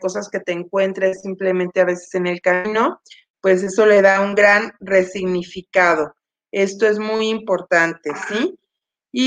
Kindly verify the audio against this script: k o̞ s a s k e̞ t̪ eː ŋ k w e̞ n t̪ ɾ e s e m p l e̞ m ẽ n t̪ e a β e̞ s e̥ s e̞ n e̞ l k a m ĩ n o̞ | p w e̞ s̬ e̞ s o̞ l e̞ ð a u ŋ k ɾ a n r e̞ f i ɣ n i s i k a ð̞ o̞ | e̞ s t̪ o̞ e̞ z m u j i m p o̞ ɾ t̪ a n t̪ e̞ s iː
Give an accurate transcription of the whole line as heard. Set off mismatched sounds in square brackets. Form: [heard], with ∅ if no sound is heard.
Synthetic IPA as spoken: k o̞ s a s k e̞ t̪ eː ŋ k w e̞ n t̪ ɾ e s [i] m p l e̞ m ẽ n t̪ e a β e̞ s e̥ s e̞ n e̞ l k a m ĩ n o̞ | p w e̞ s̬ e̞ s o̞ l e̞ ð a u ŋ [ɡ] ɾ a n r e̞ [s] i ɣ n i [f] i k a ð̞ o̞ | e̞ s t̪ o̞ e̞ z m u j i m p o̞ ɾ t̪ a n t̪ e̞ s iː